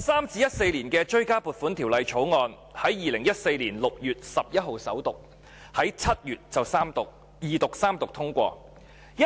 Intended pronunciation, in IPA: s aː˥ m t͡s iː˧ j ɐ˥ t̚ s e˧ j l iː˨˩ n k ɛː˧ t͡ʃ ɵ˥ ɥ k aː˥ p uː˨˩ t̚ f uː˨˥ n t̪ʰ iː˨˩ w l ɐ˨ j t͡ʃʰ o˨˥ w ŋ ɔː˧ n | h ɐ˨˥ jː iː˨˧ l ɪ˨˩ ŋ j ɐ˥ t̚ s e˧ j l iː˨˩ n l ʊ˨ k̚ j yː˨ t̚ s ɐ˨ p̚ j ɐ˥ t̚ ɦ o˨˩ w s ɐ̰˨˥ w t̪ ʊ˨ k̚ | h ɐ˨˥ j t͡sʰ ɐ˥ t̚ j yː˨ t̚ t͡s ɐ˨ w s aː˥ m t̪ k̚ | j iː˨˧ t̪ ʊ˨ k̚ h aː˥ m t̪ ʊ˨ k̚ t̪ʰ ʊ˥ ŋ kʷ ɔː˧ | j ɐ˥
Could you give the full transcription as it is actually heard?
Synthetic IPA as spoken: s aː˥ m t͡s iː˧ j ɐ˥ t̚ s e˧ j l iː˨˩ n k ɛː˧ t͡ʃ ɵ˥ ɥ k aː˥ p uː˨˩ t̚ f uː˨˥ n t̪ʰ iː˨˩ w l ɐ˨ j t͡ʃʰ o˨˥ w ŋ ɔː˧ n | h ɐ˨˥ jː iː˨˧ l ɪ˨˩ ŋ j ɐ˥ t̚ s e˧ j l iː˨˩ n l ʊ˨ k̚ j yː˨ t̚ s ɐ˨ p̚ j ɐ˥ t̚ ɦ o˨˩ w s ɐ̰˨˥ w t̪ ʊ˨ k̚ | h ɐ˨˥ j t͡sʰ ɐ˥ t̚ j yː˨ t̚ t͡s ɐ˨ w s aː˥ m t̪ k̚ | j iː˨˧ t̪ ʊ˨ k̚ s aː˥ m t̪ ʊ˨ k̚ t̪ʰ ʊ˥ ŋ kʷ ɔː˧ | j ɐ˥